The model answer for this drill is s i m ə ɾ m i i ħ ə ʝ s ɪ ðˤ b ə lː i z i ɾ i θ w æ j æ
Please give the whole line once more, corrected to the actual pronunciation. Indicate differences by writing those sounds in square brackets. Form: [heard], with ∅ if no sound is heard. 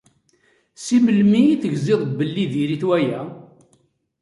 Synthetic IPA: s i m ə [l] m i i [θ] ə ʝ [z] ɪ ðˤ b ə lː i [ð] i ɾ i θ w æ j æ